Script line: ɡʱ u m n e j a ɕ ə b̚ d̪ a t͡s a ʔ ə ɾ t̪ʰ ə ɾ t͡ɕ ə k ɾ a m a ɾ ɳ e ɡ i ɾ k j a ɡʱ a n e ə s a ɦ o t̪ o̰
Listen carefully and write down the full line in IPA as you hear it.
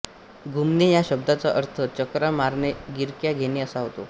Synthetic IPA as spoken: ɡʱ u m n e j a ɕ ə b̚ d̪ a t͡s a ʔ ə ɾ t̪ʰ ə t͡ɕ ə k ɾ a m a ɾ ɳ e ɡ i ɾ k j a ɡʱ e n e ə s a ɦ o t̪ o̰